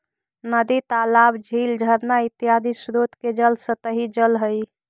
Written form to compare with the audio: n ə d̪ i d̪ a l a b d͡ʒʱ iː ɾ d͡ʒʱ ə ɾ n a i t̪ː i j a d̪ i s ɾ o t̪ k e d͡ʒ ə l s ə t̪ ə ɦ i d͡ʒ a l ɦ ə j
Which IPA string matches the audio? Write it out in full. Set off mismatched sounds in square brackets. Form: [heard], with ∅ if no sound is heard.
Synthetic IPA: n ə d̪ i [t̪] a l a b d͡ʒʱ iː [l] d͡ʒʱ ə ɾ n a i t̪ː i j a d̪ i s ɾ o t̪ k e d͡ʒ ə l s ə t̪ ə ɦ i d͡ʒ [ə] l ɦ ə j

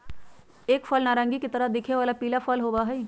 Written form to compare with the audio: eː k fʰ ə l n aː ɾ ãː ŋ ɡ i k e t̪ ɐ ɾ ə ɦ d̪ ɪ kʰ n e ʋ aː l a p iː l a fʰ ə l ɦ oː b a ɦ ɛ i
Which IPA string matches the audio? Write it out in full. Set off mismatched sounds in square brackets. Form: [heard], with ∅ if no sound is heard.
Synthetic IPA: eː k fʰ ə l n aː ɾ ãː ŋ ɡ i k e t̪ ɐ ɾ ə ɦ d̪ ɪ kʰ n e ʋ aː l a p iː l a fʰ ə l ɦ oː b a ɦ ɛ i

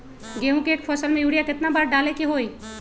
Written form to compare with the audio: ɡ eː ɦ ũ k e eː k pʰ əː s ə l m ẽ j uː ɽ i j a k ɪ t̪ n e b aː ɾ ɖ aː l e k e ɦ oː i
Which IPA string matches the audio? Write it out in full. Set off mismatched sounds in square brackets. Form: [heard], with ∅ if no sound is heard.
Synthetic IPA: ɡ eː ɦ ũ k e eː k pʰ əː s ə l m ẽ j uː ɽ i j a k ɪ t̪ n [a] b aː ɾ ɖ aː l e k e ɦ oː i

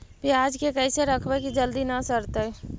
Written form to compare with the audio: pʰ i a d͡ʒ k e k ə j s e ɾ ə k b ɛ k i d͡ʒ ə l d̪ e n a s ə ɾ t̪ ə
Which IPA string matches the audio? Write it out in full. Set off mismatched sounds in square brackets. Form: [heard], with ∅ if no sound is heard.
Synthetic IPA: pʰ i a d͡ʒ k e k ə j s e ɾ ə [kʰ] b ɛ k i d͡ʒ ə l d̪ [i] n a s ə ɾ t̪ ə

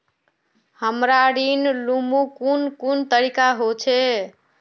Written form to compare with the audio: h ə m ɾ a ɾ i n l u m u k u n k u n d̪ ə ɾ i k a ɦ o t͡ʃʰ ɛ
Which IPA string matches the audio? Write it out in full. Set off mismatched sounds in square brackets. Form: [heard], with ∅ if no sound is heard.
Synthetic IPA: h ə m ɾ a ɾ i n l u m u k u n k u n [t̪] ə ɾ i k a ɦ o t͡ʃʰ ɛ

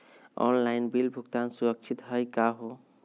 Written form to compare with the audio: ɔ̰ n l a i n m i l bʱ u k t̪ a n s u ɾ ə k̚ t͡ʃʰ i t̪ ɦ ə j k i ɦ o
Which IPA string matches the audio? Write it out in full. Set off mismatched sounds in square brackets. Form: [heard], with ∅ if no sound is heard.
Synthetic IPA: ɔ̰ n l a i n [b] i l bʱ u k t̪ a n s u ɾ ə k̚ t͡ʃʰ i t̪ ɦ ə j k [a] ɦ o

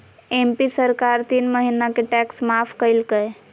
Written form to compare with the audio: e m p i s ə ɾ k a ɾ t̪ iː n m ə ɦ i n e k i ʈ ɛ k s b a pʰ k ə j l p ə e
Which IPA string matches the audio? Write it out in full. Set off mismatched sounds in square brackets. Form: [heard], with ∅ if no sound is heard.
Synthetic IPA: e m p i s ə ɾ k a ɾ t̪ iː n m ə ɦ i n [a] k [e] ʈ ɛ k s [m] a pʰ k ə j l [k] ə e

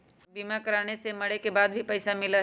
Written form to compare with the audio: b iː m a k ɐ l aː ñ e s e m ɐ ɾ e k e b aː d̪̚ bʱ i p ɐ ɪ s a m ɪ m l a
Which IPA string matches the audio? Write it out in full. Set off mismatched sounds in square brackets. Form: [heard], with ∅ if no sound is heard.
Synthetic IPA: b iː m a k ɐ [ɾ] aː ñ e s e m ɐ [ɽ] e k e b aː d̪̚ bʱ i p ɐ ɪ s a m ɪ [∅] l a

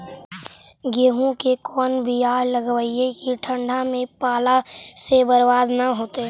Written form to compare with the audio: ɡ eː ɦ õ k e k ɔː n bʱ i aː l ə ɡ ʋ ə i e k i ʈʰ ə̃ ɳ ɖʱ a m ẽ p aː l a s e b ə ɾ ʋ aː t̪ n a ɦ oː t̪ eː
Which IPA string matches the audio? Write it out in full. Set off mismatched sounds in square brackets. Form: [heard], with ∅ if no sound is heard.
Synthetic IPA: ɡ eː ɦ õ k e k ɔː n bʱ i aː l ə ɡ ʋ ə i e k i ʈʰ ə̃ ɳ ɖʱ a m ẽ p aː l a s e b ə ɾ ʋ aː [d̪] n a ɦ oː t̪ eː

